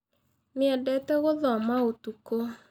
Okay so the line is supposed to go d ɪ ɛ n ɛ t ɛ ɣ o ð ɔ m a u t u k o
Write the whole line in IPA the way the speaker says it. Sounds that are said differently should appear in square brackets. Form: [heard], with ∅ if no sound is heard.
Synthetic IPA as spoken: [n] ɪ ɛ [d] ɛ t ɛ ɣ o ð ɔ m a [o] t u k o